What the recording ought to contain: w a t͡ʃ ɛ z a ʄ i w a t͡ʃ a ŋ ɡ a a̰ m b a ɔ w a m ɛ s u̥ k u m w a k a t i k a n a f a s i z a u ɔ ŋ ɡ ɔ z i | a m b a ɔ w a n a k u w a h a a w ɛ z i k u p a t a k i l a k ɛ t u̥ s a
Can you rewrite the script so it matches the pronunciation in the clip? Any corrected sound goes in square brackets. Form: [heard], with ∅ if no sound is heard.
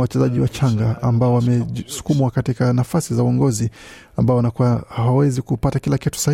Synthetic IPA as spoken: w a t͡ʃ ɛ z a ʄ i w a t͡ʃ a ŋ ɡ a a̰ m b a ɔ w a m ɛ s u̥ k u m w a k a t i k a n a f a s i z a u ɔ ŋ ɡ ɔ z i | a m b a ɔ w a n a k u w a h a a w ɛ z i k u p a t a k i l a k ɛ t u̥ s a